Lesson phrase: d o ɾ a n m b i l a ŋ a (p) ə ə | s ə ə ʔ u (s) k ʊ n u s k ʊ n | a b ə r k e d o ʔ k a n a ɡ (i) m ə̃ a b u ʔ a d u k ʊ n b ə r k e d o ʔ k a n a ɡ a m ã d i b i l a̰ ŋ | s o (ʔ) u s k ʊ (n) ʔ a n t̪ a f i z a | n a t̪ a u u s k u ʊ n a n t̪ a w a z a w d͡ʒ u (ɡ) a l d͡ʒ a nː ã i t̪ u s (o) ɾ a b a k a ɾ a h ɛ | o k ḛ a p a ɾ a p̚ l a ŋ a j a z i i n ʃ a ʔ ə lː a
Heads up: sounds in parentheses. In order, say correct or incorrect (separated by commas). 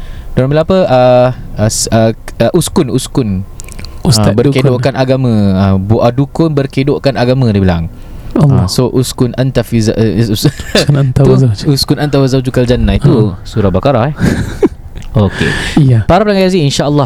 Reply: correct, correct, incorrect, correct, correct, incorrect, incorrect